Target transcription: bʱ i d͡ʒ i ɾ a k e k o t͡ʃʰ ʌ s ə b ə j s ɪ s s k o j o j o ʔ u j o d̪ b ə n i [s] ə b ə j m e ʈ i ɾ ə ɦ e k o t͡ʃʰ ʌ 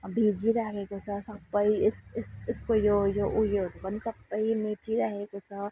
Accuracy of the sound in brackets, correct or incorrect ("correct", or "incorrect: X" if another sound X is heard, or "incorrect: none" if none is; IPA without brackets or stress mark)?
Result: correct